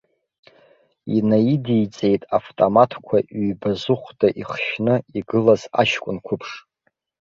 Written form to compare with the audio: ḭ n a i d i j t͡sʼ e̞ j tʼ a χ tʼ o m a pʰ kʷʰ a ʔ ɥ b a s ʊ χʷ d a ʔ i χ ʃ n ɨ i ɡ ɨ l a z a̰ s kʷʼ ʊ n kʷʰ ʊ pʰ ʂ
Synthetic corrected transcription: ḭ n a i d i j t͡sʼ e̞ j tʼ a f tʼ o m a tʰ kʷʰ a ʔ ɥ b a z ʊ χʷ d a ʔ i χ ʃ n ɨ i ɡ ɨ l a z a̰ ʃ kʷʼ ʊ n kʷʰ ʊ pʰ ʂ